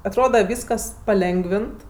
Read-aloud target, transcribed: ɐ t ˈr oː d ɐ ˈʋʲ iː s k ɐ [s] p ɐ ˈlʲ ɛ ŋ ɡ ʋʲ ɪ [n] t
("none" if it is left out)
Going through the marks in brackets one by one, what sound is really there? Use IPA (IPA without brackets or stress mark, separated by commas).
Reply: s, n